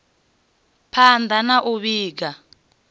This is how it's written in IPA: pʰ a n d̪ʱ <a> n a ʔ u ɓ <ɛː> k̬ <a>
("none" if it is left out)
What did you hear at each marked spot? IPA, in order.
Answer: a, iː, a

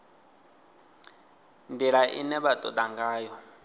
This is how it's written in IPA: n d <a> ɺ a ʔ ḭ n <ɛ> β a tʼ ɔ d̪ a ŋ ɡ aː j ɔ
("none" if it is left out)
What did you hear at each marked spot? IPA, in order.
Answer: i, ɛ

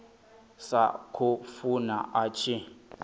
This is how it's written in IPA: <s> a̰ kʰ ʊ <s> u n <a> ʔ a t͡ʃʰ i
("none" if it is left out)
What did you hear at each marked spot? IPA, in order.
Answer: s, f, a

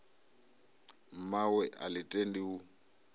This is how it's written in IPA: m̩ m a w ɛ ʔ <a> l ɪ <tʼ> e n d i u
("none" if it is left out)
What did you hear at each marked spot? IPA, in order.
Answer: a, tʼ

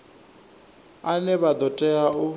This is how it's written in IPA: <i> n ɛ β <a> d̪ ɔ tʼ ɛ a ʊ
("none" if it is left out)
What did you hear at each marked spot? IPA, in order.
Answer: a, a

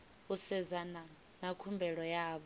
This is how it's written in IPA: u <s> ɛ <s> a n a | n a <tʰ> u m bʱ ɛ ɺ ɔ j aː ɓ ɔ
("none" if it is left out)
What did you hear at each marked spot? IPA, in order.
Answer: s, z, kʰ

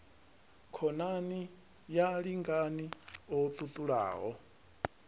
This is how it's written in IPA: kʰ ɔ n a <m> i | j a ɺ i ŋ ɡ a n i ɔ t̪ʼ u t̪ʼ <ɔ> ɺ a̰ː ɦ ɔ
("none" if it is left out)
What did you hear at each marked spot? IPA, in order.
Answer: n, u

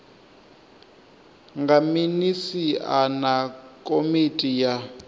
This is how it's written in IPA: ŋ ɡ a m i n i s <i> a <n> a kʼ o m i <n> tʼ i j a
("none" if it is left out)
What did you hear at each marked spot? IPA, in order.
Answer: i, n, none

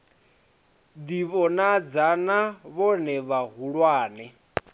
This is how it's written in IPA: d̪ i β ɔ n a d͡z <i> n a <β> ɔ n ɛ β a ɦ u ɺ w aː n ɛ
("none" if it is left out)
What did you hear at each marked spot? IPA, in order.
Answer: a, β

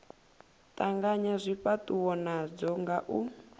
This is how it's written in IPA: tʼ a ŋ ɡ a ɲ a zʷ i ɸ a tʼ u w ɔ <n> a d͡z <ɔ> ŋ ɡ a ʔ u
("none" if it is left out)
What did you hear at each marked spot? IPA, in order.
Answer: n, ɔ

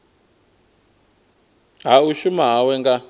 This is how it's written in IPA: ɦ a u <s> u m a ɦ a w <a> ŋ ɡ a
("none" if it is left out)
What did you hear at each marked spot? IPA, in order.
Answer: ʃ, ɛ

